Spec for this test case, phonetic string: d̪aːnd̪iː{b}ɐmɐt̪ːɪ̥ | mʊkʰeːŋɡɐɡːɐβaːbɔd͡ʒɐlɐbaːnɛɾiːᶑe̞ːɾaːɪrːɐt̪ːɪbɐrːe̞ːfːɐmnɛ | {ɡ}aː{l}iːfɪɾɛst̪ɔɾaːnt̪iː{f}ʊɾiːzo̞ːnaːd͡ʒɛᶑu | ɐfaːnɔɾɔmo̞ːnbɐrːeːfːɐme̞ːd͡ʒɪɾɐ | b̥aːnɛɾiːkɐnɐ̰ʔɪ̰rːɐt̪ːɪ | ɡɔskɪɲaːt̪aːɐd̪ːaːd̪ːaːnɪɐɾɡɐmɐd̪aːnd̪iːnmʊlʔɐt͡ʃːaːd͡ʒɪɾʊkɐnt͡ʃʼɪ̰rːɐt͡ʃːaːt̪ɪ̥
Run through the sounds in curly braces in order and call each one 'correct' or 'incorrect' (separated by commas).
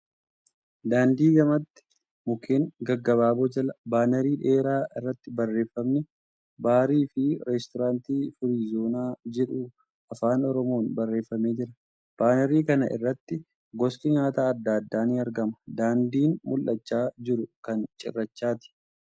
incorrect, incorrect, incorrect, correct